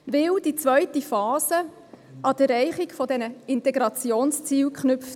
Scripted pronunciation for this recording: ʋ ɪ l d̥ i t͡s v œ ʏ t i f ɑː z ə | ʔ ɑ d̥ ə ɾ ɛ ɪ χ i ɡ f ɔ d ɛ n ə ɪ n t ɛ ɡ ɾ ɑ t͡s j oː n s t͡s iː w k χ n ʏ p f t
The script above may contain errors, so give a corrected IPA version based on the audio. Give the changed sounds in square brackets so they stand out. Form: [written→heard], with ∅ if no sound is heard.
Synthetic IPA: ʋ ɪ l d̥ i t͡s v œ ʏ t i f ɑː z ə | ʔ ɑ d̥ ə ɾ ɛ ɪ χ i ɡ f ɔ d ɛ n ə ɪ n t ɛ ɡ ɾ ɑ t͡s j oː n s t͡s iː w k χ n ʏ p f t